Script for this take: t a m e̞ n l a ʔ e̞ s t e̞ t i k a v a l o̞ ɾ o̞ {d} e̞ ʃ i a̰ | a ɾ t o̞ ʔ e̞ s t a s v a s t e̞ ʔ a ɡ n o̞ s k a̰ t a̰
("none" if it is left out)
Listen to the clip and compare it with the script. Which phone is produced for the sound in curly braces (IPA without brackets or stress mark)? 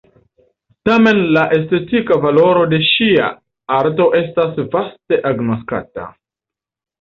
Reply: d